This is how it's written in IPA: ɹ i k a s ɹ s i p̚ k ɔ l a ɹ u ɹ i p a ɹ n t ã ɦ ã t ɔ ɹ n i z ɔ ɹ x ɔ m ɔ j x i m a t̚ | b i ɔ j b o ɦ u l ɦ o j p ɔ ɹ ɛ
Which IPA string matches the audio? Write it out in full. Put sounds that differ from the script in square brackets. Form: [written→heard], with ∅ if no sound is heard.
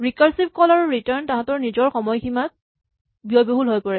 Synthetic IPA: ɹ i k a [s→∅] ɹ s i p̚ k ɔ l a ɹ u ɹ i [p→t] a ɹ n t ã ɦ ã t ɔ ɹ n i z ɔ ɹ x ɔ m ɔ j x i m a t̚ | b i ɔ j b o ɦ u l ɦ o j p ɔ ɹ ɛ